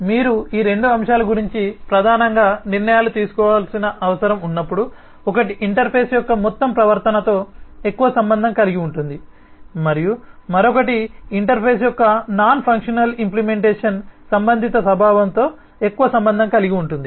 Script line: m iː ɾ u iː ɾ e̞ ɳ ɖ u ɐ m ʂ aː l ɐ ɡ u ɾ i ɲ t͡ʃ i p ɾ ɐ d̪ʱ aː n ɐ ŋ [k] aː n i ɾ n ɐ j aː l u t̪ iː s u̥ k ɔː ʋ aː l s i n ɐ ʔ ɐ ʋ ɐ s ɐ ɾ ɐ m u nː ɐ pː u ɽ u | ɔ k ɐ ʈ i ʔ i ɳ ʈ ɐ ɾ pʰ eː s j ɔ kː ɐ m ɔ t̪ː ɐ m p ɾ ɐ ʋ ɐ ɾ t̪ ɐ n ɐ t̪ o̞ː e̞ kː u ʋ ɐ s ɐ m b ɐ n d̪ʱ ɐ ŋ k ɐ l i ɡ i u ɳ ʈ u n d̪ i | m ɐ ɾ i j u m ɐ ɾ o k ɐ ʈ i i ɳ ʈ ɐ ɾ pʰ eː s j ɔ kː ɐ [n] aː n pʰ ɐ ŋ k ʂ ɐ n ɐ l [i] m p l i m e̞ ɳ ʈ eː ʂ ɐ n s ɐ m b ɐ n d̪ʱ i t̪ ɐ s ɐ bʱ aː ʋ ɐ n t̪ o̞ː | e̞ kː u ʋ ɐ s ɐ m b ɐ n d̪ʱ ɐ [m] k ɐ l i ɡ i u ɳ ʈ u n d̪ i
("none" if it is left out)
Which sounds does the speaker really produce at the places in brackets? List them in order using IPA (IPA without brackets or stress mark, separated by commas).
ɡ, n, i, ŋ